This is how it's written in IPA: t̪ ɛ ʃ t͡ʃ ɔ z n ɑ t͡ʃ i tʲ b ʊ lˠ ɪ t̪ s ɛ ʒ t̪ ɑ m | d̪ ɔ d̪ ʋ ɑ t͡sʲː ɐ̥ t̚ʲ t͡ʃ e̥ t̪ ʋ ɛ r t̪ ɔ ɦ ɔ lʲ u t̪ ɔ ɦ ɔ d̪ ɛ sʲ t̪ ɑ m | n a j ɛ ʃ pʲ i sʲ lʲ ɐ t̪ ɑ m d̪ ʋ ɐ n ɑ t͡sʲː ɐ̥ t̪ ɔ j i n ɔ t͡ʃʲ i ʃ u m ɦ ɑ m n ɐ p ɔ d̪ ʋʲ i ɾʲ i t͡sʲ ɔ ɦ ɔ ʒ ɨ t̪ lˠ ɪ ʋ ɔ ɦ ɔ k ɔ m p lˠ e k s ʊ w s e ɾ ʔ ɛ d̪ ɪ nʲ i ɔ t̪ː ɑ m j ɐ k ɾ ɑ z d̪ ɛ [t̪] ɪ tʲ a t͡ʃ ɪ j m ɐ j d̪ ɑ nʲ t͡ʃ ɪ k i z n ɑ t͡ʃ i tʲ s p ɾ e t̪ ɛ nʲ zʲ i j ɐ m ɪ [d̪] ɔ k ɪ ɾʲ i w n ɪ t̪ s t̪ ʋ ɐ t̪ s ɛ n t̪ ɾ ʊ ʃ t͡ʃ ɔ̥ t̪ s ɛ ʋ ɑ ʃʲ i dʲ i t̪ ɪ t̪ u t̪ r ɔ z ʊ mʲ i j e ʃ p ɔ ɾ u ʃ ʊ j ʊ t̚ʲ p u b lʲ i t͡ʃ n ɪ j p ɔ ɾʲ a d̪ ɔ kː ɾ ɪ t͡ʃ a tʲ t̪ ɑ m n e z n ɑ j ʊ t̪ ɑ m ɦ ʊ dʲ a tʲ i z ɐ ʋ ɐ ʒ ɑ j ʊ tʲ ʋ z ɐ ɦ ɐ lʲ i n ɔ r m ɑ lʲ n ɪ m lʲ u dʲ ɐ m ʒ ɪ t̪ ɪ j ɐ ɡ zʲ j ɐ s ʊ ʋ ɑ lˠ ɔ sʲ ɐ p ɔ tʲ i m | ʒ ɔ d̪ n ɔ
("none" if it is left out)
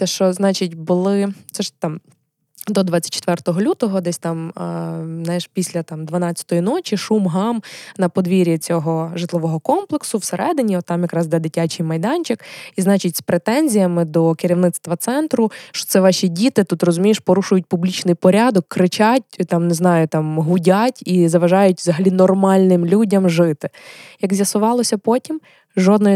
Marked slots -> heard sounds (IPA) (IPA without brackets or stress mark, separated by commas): d̪, d̪